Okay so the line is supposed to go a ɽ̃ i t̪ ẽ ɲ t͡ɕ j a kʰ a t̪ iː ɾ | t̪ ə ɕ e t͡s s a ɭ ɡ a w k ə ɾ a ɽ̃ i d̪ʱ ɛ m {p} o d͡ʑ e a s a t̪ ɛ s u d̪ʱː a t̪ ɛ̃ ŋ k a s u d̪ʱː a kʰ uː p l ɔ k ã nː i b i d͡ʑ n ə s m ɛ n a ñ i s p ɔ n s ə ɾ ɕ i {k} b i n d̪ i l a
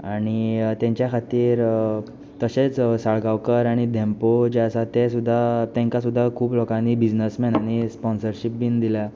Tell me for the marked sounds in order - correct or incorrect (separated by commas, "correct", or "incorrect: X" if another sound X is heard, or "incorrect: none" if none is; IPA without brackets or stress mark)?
correct, incorrect: p